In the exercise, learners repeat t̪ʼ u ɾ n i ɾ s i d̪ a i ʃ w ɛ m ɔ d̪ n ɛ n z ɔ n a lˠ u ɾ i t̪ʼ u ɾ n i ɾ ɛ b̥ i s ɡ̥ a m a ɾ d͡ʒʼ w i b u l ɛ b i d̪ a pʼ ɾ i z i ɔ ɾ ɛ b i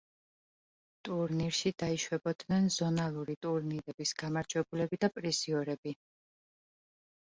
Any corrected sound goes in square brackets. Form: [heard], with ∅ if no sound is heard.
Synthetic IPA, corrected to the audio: t̪ʼ u ɾ n i ɾ [ʃ] i d̪ a i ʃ w ɛ [b] ɔ d̪ n ɛ n z ɔ n a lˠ u ɾ i t̪ʼ u ɾ n i ɾ ɛ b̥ i s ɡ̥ a m a ɾ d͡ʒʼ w [ɛ] b u l ɛ b i d̪ a pʼ ɾ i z i ɔ ɾ ɛ b i